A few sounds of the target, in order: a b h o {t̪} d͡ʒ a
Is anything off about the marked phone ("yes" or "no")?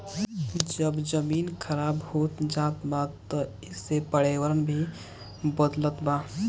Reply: no